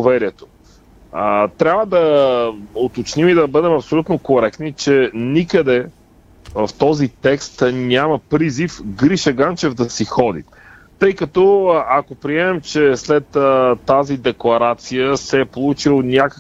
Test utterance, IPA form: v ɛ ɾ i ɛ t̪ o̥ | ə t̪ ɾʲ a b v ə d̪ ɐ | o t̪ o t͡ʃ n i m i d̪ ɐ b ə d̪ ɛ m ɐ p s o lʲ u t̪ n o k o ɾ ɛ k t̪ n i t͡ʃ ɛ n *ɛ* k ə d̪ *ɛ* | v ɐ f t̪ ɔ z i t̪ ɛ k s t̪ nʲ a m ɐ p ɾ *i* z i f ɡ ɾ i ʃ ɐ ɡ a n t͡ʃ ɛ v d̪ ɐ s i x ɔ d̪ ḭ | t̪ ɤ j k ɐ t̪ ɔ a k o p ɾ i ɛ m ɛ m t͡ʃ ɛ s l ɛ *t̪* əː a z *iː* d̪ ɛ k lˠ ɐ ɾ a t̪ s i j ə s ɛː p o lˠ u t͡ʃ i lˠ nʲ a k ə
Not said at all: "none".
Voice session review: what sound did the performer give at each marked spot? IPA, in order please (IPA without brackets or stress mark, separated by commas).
i, ɛ, i, t̪, i